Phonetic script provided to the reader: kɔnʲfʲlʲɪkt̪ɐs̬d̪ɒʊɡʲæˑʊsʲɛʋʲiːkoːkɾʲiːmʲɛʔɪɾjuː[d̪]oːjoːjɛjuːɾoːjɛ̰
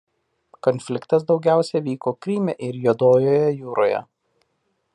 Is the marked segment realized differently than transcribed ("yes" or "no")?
no